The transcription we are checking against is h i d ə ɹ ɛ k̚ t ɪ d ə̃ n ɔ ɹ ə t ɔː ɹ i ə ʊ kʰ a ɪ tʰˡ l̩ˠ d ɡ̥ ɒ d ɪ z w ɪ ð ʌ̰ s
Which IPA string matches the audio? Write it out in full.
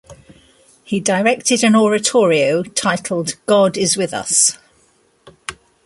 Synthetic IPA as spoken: h i d ə ɹ ɛ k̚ t ɪ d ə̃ n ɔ ɹ ə tʰ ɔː ɹ i ə ʊ tʰ a ɪ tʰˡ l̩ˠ d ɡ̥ ɒ d ɪ z w ɪ ð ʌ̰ s